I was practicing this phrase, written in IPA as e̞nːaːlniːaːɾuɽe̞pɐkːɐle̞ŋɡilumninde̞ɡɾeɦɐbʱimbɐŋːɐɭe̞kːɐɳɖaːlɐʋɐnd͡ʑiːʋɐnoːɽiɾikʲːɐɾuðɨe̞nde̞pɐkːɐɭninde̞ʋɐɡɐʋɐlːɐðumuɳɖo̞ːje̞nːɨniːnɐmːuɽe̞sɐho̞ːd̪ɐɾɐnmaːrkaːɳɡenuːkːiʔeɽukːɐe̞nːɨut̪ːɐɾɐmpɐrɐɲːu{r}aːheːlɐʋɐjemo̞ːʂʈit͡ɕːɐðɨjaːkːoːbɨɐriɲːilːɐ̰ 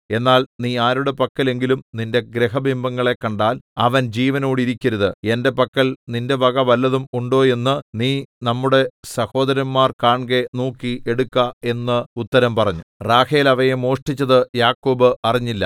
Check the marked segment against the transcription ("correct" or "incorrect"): correct